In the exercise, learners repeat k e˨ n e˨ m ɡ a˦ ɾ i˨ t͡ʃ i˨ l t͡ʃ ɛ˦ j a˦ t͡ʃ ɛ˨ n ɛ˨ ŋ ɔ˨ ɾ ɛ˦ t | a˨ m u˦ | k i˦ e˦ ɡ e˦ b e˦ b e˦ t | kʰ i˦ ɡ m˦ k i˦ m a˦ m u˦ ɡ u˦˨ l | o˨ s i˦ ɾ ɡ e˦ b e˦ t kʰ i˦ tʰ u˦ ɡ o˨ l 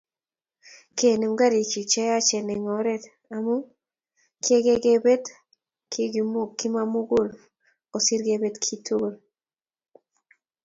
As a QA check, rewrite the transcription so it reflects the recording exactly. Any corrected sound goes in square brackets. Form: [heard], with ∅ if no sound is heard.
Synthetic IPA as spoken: k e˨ n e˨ m ɡ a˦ ɾ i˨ t͡ʃ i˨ [∅] t͡ʃ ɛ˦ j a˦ t͡ʃ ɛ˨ n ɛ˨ ŋ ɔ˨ ɾ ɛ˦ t | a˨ m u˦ | k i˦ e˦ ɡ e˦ [ɡ] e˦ b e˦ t | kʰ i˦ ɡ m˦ k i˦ m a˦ m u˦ ɡ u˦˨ l | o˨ s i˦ ɾ ɡ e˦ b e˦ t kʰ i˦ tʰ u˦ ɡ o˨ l